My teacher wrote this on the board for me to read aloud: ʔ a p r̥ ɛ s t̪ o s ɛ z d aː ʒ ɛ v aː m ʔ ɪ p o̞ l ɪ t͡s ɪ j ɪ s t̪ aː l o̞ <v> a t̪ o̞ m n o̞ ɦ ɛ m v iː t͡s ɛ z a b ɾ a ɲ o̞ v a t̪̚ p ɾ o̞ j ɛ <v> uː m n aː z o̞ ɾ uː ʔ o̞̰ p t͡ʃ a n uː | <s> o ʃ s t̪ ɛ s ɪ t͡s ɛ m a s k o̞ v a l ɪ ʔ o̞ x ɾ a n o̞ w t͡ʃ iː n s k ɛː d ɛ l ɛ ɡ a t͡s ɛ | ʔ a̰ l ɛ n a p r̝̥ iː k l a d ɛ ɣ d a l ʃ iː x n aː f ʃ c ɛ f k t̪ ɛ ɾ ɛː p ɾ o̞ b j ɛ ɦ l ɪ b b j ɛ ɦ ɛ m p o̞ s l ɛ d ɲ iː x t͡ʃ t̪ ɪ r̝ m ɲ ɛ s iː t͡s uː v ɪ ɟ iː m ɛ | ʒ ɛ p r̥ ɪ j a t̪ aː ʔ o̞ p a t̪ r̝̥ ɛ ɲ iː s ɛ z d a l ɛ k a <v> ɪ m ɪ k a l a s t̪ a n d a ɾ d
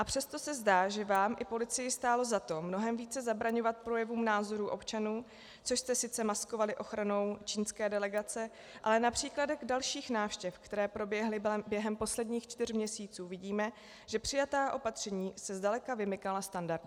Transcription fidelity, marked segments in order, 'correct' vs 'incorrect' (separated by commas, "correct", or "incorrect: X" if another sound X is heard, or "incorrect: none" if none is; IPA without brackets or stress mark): incorrect: z, correct, incorrect: t͡s, correct